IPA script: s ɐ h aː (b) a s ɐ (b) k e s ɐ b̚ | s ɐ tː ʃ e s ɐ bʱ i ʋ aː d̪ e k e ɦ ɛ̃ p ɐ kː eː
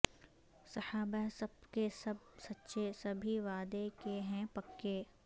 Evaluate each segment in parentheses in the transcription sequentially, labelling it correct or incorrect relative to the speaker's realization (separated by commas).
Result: correct, correct